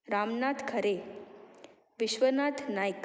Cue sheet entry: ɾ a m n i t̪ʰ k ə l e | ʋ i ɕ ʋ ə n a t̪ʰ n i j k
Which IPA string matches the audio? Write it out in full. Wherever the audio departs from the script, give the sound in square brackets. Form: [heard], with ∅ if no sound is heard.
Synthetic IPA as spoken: ɾ a m n [a] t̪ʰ [kʰ] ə [ɾ] e | ʋ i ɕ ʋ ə n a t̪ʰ n [a] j k